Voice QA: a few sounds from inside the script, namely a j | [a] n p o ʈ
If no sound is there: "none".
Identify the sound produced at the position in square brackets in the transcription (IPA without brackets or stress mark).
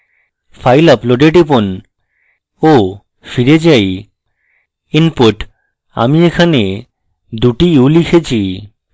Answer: i